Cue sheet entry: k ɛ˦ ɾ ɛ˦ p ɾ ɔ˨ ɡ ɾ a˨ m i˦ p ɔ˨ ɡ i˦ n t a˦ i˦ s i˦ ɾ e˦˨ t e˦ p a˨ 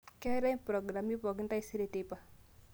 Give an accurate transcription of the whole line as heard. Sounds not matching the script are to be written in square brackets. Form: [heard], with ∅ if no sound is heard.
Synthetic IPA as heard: k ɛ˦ ɾ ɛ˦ p ɾ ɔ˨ ɡ ɾ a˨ m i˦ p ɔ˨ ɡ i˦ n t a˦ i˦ s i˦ ɾ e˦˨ t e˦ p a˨